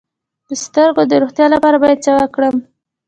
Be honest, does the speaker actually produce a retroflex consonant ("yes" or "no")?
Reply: yes